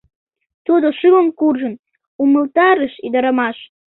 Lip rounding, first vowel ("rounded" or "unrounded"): rounded